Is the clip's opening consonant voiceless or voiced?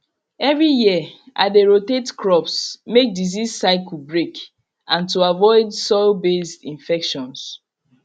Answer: voiced